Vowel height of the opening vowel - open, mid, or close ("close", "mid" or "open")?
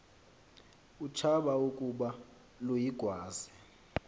close